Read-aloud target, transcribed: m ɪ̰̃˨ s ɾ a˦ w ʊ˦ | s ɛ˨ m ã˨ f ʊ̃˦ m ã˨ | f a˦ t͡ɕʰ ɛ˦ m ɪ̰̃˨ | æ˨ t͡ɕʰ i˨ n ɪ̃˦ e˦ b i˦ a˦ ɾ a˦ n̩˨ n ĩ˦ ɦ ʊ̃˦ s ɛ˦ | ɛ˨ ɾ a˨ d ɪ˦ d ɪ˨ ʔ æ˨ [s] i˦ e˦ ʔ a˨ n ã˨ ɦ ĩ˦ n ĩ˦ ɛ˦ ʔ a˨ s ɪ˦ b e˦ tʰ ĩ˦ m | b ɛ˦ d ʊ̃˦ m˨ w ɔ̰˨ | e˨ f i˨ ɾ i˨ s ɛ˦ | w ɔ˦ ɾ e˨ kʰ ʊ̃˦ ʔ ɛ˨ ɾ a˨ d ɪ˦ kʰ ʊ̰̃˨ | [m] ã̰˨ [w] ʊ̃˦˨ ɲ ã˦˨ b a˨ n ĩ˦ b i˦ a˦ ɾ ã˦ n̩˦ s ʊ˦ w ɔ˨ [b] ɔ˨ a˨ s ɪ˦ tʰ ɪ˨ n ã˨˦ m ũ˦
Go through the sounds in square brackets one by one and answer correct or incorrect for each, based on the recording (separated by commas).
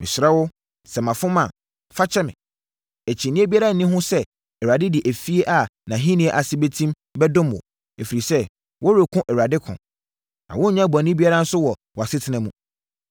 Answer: incorrect, incorrect, correct, incorrect